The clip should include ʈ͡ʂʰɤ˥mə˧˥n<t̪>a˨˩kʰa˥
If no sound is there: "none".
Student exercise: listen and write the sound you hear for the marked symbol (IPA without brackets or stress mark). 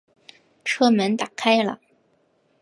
t̪